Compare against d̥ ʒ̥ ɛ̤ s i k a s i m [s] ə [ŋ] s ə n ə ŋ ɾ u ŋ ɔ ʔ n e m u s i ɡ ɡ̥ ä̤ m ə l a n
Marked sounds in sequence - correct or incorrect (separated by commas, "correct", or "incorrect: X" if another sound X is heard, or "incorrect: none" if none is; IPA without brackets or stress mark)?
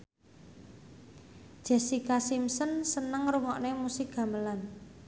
correct, incorrect: n